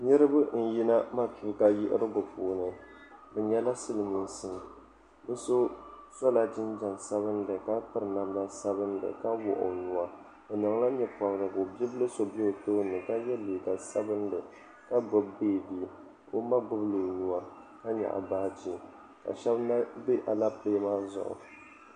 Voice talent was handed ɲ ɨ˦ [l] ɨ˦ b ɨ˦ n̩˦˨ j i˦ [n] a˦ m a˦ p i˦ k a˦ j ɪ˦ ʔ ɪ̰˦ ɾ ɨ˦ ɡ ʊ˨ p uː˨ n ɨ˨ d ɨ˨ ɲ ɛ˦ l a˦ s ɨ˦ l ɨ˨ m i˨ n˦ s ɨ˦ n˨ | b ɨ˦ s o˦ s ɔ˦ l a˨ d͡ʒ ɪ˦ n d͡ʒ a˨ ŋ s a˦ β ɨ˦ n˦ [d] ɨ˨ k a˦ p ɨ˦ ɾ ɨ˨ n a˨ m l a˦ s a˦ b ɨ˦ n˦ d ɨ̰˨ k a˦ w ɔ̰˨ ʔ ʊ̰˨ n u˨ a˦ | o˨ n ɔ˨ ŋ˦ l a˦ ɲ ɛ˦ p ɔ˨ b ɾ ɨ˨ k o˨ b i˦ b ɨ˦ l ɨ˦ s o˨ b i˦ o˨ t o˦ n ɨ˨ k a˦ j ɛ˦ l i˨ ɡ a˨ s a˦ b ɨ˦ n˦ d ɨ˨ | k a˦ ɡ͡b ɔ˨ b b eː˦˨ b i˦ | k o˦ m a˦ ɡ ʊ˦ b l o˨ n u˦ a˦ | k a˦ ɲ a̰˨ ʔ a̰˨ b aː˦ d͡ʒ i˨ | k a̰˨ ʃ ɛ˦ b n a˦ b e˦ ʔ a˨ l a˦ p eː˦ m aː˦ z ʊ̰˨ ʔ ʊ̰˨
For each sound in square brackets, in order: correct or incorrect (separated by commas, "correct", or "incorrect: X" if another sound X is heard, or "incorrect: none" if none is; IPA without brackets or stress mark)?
incorrect: ɾ, correct, correct